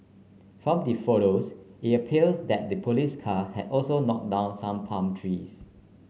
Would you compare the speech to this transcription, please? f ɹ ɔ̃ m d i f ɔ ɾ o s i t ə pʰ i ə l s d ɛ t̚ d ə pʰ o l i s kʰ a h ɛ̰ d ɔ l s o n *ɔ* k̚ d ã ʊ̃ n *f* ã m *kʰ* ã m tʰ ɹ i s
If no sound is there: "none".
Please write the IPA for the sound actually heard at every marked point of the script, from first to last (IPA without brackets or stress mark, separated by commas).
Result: ɔ, s, pʰ